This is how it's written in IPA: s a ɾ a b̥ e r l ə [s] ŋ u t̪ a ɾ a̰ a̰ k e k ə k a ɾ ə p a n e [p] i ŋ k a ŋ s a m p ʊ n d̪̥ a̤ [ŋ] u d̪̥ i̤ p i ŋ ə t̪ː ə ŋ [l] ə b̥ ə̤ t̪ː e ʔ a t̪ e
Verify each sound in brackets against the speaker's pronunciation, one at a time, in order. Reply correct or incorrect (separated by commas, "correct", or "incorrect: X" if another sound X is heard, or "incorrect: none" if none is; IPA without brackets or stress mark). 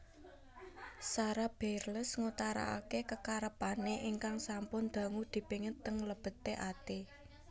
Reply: correct, incorrect: ʔ, correct, correct